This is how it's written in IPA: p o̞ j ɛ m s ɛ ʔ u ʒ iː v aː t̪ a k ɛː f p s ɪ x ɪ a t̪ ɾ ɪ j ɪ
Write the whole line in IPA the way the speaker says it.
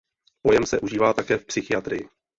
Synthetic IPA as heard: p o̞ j ɛ m s ɛ ʔ u ʒ iː v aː t̪ a k ɛː f p s ɪ x ɪ a t̪ ɾ ɪ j ɪ